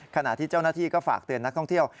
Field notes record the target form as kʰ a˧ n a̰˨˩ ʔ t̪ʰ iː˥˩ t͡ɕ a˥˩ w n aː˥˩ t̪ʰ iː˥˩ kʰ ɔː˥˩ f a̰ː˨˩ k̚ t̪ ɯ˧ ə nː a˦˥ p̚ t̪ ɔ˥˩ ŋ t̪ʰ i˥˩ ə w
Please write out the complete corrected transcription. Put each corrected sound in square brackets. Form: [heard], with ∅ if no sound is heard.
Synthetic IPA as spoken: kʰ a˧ n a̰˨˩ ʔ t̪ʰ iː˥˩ t͡ɕ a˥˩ w n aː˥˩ t̪ʰ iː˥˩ [k] ɔː˥˩ f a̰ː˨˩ k̚ t̪ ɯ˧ ə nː a˦˥ [k̚] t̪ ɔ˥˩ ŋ t̪ʰ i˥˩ ə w